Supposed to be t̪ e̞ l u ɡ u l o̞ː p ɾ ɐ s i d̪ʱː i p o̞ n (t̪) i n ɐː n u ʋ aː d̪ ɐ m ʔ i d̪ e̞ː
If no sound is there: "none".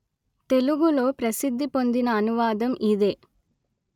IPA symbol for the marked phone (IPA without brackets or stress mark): d̪